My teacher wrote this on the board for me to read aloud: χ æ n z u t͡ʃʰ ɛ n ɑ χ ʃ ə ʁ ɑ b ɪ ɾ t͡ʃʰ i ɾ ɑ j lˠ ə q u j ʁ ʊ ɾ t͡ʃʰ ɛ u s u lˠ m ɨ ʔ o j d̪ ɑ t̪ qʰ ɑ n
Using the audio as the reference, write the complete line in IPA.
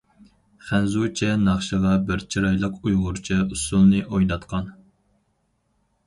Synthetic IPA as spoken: χ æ n z u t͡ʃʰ ɛ n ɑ χ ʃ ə ʁ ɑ b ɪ ɾ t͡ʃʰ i ɾ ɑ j lˠ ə q u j ʁ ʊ ɾ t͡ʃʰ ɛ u s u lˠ n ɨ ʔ o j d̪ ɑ t̪ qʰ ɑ n

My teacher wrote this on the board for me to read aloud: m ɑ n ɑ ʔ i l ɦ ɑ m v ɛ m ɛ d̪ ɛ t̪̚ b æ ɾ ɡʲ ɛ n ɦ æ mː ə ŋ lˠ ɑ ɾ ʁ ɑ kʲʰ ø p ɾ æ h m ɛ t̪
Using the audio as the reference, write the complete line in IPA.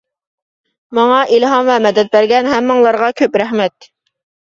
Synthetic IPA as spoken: m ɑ ŋ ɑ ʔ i l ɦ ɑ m v ɛ m ɛ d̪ ɛ t̪̚ b æ ɾ ɡʲ ɛ n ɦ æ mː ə ŋ lˠ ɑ ɾ ʁ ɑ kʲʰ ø p ɾ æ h m ɛ t̪

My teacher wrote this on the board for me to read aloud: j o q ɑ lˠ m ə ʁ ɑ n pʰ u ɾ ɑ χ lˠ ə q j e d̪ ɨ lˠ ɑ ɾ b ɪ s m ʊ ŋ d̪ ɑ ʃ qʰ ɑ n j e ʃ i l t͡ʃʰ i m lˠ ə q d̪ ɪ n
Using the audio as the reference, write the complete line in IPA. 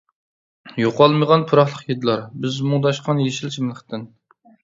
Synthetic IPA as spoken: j o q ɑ lˠ m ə ʁ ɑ n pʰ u ɾ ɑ χ lˠ ə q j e d̪ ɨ lˠ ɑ ɾ b ɪ z m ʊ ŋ d̪ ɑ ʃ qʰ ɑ n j e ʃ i l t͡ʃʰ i m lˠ ə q t̪ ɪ n

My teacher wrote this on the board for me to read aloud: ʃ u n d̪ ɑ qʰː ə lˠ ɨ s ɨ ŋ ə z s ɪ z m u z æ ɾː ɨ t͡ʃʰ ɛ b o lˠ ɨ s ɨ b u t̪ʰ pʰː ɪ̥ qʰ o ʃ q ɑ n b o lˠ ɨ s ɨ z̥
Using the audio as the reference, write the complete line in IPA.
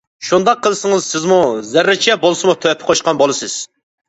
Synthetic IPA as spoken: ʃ u n d̪ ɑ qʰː ə lˠ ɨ s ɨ ŋ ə z s ɪ z m u z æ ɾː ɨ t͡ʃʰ ɛ b o lˠ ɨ s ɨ m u t̪ʰ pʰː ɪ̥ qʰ o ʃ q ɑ n b o lˠ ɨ s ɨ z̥

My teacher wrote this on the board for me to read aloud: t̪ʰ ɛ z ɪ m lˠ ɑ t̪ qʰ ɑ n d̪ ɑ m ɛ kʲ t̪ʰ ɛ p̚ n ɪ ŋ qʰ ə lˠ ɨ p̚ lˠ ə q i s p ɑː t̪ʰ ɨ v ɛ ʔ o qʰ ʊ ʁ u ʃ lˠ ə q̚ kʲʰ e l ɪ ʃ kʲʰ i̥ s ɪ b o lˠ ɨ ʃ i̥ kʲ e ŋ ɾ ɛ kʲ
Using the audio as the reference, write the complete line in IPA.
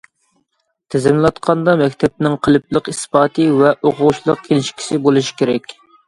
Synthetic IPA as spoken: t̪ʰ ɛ z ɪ m lˠ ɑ t̪ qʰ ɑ n d̪ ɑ m ɛ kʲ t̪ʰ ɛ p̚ n ɪ ŋ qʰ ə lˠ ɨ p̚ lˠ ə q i s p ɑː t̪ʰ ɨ v ɛ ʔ o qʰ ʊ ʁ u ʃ lˠ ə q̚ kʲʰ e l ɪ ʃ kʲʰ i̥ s ɪ b o lˠ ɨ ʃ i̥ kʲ e ɾ ɛ kʲ

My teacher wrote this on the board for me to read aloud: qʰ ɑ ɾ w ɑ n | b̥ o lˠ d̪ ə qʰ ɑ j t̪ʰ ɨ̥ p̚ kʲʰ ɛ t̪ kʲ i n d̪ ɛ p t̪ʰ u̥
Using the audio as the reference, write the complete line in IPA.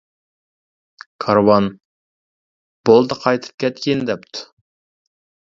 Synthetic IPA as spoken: kʰ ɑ ɾ w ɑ n | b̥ o lˠ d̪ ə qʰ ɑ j t̪ʰ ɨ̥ p̚ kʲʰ ɛ t̪ kʲ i n d̪ ɛ p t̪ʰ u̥

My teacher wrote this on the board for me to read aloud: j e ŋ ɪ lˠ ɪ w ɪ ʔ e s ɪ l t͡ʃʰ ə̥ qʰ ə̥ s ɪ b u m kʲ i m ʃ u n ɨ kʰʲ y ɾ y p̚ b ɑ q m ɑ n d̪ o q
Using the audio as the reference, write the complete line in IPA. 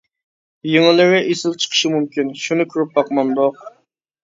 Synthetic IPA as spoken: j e ŋ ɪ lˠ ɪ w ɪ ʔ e s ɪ l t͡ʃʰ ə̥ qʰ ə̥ ʃ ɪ m u m kʲ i n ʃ u n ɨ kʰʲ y ɾ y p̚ b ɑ q m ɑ n d̪ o q

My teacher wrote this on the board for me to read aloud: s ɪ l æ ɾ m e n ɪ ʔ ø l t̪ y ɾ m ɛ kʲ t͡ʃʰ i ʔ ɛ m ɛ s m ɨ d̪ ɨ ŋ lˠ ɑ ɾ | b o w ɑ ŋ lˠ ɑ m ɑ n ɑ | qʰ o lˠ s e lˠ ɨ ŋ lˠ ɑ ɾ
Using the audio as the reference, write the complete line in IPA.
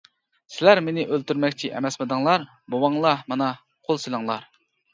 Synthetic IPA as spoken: s ɪ l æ ɾ m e n ɪ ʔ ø l t̪ y ɾ m ɛ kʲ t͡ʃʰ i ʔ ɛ m ɛ s m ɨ d̪ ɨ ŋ lˠ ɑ ɾ | b o w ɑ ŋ lˠ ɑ m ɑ n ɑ | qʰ o lˠ s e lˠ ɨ ŋ lˠ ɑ ɾ

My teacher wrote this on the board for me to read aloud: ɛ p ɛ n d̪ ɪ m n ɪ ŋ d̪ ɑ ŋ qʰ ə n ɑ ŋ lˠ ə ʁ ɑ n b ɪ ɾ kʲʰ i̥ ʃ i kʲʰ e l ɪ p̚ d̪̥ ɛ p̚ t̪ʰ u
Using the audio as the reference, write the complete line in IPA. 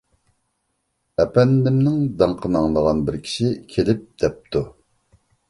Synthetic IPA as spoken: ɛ p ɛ n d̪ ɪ m n ɪ ŋ d̪ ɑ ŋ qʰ ə n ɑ ŋ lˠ ə ʁ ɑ n b ɪ ɾ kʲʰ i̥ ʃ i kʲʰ e l ɪ p̚ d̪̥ ɛ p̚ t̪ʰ u

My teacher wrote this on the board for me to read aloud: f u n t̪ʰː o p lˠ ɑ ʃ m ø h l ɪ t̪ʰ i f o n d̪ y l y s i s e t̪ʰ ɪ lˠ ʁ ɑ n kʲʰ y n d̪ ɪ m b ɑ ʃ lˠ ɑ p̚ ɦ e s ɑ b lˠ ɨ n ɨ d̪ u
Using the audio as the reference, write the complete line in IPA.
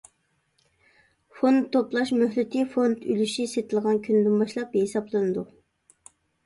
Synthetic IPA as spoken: f o n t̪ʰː o p lˠ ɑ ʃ m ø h l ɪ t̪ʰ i f o n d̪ y l y ʃ i s e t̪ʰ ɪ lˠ ʁ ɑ n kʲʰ y n d̪ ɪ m b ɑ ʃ lˠ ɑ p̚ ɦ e s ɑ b lˠ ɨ n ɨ d̪ u

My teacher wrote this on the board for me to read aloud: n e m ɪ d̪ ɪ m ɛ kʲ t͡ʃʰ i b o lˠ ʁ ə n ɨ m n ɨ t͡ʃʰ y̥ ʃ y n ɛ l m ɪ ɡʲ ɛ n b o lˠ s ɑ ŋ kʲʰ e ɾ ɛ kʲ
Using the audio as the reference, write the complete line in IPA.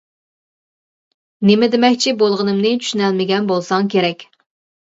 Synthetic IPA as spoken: n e m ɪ d̪ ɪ m ɛ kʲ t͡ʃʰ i b o lˠ ʁ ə n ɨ m n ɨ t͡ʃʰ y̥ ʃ y n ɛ l m ɪ ɡʲ ɛ n b o lˠ s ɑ ŋ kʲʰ e ɾ ɛ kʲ

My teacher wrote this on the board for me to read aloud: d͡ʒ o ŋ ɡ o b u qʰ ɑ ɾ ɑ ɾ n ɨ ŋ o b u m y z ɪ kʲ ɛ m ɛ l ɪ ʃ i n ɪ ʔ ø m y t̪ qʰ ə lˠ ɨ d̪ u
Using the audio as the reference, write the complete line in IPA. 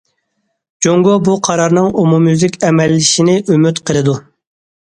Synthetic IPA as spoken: d͡ʒ o ŋ ɡ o b u qʰ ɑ ɾ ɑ ɾ n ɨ ŋ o m u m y z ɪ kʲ ɛ m ɛ lː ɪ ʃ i n ɪ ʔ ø m y t̪ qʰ ə lˠ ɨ d̪ u

